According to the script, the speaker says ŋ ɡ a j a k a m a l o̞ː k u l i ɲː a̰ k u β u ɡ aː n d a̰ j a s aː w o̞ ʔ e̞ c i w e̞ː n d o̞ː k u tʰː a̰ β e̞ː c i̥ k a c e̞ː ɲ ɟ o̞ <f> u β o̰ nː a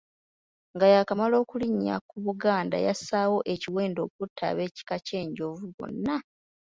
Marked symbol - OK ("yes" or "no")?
no